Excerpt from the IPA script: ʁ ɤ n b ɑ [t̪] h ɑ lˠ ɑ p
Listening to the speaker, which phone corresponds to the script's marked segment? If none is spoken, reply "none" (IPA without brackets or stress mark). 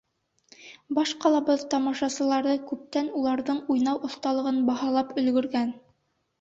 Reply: none